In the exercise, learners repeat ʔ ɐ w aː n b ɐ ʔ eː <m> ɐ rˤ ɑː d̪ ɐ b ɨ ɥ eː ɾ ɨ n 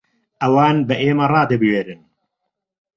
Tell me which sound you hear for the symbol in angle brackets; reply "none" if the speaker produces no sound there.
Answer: m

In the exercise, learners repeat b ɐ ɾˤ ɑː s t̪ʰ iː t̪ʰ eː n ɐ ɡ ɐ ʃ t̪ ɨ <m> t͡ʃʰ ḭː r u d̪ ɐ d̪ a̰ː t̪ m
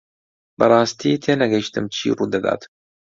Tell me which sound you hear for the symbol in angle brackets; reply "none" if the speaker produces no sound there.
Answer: m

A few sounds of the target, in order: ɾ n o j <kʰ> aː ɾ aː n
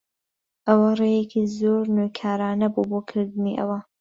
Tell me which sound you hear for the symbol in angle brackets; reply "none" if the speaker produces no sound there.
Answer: kʰ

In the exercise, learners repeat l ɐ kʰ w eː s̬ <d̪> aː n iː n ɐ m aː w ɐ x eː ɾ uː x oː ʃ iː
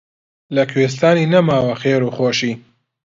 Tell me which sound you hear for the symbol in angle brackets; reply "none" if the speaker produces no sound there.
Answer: t̪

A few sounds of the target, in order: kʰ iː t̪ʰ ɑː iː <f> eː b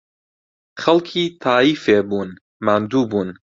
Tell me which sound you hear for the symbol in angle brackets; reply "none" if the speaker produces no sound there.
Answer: f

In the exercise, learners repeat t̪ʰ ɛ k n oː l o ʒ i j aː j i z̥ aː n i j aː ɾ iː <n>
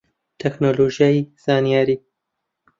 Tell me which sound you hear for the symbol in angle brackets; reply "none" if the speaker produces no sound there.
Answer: none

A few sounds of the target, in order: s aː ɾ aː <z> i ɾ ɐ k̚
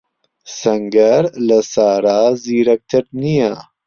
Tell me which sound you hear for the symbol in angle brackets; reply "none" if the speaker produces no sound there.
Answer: z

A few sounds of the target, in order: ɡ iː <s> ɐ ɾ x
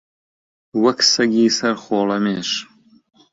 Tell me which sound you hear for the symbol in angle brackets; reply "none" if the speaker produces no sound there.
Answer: s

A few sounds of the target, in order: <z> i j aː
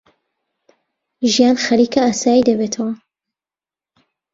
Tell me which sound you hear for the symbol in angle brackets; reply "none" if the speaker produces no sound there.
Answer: ʒ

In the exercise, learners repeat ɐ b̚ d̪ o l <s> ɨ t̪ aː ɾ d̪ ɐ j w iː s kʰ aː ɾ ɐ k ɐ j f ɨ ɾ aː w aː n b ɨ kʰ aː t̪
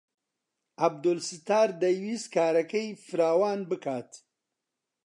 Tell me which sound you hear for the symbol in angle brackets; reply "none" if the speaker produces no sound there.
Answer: s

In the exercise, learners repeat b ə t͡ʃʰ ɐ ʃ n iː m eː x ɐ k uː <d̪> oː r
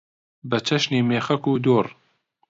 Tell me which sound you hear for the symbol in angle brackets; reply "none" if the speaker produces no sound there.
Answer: d̪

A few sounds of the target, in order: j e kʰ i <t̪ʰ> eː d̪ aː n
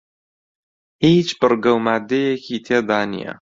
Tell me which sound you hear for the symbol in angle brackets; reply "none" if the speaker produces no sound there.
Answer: t̪ʰ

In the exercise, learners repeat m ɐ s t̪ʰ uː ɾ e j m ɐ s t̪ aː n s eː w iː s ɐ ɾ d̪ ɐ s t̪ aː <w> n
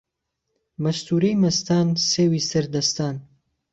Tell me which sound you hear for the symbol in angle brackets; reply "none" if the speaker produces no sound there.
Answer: none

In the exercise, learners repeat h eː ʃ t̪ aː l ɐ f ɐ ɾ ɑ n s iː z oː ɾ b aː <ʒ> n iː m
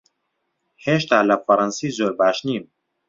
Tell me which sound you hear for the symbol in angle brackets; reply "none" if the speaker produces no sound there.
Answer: ʃ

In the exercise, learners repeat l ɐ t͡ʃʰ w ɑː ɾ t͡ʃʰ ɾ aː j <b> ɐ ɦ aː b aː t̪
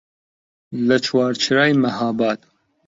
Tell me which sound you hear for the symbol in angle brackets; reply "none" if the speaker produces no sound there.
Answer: m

